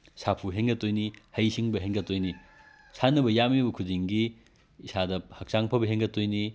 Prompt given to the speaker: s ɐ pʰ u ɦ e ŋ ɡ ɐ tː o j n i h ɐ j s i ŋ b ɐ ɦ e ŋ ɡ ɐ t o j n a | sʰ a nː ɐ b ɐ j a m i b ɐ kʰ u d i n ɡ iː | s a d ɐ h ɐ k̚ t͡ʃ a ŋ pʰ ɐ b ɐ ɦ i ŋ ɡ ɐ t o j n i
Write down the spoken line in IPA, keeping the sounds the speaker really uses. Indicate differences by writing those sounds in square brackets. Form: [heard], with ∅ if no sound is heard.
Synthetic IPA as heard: s [a] pʰ u ɦ e ŋ ɡ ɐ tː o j n i h ɐ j s i ŋ b ɐ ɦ e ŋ ɡ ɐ t o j n [i] | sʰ a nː ɐ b ɐ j a m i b ɐ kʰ u d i [ŋ] ɡ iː | s a d ɐ h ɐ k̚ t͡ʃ a ŋ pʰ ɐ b ɐ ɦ [e] ŋ ɡ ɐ t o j n i